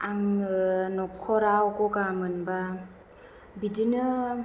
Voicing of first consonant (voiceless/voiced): voiced